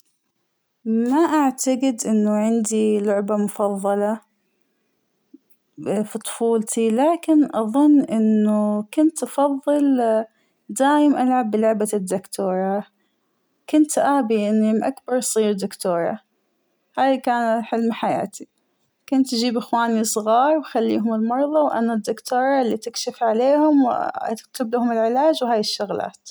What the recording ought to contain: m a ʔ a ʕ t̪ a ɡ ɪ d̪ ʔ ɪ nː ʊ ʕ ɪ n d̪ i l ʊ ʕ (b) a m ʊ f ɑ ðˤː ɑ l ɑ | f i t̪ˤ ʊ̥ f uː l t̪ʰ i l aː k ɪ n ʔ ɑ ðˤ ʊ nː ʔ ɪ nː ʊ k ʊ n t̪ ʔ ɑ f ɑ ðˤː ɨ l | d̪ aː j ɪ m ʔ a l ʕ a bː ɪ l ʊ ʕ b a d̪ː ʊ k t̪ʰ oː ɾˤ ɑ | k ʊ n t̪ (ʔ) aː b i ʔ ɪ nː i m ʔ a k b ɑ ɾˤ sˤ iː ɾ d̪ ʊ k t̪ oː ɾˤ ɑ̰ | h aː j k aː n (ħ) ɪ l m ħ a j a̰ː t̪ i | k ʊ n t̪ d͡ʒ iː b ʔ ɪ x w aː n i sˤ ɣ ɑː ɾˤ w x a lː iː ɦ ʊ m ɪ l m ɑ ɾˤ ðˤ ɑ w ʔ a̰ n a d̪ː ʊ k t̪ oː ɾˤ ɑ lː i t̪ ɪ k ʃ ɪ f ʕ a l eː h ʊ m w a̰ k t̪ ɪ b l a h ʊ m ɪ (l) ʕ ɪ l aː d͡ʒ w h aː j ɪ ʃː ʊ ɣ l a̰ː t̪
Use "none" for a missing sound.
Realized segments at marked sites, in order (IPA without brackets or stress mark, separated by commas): b, ʔ, ħ, l